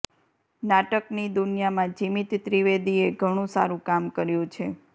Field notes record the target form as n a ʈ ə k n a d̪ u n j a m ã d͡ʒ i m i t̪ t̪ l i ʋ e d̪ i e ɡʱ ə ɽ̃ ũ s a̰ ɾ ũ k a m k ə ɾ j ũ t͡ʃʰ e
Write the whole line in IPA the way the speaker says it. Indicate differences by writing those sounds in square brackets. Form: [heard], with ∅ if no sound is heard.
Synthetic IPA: n a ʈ ə k n [i] d̪ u n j a m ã d͡ʒ i m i t̪ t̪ [ɾ] i ʋ e d̪ i e ɡʱ ə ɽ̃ ũ s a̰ ɾ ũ k a m k ə ɾ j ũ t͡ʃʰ e

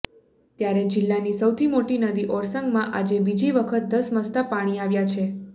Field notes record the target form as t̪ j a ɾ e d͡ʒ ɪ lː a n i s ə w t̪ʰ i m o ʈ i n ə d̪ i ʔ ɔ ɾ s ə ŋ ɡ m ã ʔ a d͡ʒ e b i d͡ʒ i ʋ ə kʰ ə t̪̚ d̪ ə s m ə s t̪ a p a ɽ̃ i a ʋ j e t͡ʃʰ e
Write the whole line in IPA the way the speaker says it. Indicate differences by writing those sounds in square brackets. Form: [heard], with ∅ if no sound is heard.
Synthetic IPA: t̪ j a ɾ e d͡ʒ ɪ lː a n i s ə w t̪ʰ i m o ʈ i n ə d̪ i ʔ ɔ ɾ s ə ŋ ɡ m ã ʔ a d͡ʒ e b i d͡ʒ i ʋ ə kʰ ə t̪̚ d̪ ə s m ə s t̪ a p a ɽ̃ i a ʋ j [a] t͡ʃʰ e

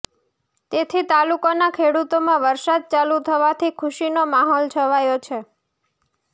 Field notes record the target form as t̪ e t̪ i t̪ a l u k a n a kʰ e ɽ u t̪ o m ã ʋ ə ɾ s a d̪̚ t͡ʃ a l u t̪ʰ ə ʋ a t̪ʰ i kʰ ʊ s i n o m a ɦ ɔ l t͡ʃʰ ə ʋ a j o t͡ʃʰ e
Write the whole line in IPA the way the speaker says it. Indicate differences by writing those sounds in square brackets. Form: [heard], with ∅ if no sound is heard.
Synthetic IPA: t̪ e [t̪ʰ] i t̪ a l u k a n a kʰ e ɽ u t̪ o m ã ʋ ə ɾ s a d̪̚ t͡ʃ a l u t̪ʰ ə ʋ a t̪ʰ i kʰ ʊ [ʃ] i n o m a ɦ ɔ l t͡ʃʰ ə ʋ a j o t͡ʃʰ e

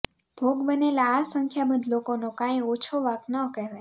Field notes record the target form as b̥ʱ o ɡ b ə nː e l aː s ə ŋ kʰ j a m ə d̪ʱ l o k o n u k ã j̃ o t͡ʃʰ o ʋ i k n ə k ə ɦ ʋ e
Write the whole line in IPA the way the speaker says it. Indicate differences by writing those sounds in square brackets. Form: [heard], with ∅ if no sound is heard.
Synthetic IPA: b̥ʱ o ɡ b ə [n] e l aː s ə ŋ kʰ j a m ə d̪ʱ l o k o n [o] k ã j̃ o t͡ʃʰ o ʋ [a] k n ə k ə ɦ ʋ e

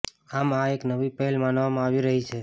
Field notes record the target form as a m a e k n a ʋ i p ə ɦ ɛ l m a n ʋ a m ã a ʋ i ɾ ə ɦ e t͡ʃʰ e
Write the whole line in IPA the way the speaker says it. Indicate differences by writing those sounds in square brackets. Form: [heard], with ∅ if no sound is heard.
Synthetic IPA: a m a e k n [ə] ʋ i p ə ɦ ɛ l m a n ʋ a m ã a ʋ i ɾ ə ɦ [i] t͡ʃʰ e

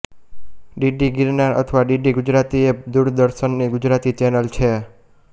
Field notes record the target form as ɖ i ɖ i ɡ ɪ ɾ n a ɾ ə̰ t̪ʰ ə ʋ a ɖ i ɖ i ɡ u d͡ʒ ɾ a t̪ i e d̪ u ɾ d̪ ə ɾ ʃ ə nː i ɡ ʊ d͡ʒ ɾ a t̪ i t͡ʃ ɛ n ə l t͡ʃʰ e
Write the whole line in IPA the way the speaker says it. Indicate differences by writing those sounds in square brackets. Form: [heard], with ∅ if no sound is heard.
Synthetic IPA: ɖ i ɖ i ɡ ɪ ɾ n a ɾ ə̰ t̪ʰ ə ʋ a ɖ i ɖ i ɡ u d͡ʒ ɾ a t̪ i e d̪ u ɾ d̪ ə ɾ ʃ ə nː i ɡ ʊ d͡ʒ ɾ a t̪ i t͡ʃ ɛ n ə l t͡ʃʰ e

